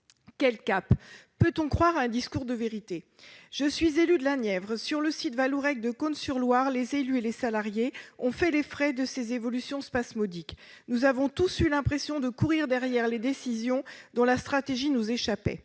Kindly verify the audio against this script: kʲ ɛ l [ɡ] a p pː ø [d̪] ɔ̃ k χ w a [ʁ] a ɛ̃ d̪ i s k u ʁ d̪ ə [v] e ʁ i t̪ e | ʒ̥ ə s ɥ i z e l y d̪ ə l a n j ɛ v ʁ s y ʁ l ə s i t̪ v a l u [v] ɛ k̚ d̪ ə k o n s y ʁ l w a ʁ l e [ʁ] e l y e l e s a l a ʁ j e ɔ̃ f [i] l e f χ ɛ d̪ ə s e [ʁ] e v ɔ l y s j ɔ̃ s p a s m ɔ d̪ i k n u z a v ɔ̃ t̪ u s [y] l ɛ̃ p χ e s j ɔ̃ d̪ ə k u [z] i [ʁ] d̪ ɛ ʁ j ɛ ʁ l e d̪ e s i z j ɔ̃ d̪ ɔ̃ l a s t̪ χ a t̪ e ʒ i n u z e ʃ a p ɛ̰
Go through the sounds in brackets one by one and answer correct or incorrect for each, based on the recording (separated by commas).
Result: incorrect, incorrect, correct, correct, incorrect, incorrect, incorrect, incorrect, correct, incorrect, correct